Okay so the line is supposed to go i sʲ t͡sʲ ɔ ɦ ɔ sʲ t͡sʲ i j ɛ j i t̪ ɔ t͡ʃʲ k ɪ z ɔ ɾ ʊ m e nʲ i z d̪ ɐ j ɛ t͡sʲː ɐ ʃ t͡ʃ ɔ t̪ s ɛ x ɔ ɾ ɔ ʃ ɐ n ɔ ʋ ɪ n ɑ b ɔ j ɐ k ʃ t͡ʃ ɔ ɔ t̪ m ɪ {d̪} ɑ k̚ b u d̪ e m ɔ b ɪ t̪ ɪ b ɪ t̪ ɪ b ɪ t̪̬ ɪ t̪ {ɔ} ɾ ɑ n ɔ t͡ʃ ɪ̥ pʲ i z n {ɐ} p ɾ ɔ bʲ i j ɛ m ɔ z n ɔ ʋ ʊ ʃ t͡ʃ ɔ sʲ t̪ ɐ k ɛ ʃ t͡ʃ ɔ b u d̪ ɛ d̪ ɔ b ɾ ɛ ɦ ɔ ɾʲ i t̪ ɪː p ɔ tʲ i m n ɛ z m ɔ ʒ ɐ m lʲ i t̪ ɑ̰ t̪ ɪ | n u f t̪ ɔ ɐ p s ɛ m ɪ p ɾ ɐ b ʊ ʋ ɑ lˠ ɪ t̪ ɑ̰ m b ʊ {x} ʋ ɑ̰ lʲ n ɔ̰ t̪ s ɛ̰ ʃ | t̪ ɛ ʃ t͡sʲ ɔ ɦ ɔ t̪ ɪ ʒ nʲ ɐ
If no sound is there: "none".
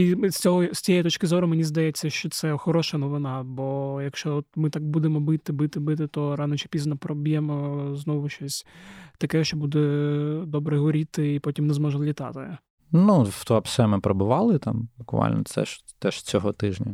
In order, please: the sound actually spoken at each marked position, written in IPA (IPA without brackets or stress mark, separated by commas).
t̪, ɔ, ɐ, k